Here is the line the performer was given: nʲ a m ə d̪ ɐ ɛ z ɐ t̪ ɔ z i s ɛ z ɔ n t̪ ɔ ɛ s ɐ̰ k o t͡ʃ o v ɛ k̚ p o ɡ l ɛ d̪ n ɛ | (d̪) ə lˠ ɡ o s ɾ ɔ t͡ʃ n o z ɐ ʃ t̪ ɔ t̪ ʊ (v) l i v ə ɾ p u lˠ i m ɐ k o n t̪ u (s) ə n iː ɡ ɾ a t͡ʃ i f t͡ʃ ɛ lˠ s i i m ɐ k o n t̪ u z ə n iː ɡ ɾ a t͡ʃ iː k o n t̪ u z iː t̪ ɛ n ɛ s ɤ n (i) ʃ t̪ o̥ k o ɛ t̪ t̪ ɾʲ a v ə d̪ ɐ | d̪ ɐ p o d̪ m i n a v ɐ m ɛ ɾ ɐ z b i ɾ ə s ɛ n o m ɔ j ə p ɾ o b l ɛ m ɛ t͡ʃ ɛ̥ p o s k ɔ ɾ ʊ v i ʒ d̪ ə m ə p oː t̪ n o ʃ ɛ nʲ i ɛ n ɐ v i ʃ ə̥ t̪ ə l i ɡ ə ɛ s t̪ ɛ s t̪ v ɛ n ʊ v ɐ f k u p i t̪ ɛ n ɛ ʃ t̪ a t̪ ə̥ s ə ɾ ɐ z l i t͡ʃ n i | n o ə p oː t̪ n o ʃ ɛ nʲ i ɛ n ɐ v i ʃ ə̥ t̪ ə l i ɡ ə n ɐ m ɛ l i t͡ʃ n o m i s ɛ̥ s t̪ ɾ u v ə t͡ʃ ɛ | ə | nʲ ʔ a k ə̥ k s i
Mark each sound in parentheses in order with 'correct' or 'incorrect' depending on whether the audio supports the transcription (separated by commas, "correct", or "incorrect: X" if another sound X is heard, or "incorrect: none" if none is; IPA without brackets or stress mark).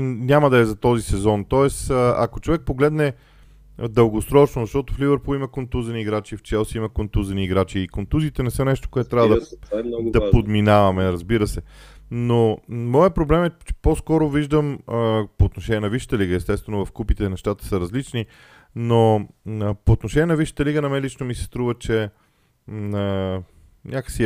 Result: correct, incorrect: f, incorrect: z, incorrect: ɛ